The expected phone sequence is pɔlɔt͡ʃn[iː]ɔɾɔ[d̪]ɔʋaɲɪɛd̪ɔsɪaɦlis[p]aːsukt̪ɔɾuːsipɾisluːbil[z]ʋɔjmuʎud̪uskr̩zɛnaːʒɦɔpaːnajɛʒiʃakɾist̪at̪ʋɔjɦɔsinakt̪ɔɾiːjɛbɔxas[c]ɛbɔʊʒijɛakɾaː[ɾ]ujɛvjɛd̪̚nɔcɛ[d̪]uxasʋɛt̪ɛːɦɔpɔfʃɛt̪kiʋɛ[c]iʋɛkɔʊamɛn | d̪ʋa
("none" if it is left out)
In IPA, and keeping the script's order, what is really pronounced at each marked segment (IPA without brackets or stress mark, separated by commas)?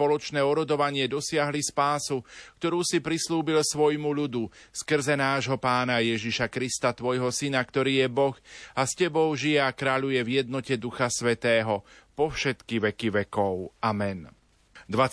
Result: ɛː, d̪, p, s, c, ʎ, d̪, k